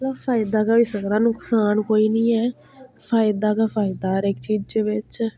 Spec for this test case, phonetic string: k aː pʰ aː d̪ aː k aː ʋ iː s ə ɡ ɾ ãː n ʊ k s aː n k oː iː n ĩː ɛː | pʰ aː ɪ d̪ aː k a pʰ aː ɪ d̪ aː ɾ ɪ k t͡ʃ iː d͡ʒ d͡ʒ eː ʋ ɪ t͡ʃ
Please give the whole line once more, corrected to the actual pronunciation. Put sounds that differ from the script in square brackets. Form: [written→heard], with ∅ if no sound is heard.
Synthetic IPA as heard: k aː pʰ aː d̪ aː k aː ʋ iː s ə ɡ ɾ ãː n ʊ k s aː n k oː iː n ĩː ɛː | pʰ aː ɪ d̪ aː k a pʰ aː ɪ d̪ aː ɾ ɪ k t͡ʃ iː d͡ʒ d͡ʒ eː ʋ ɪ t͡ʃ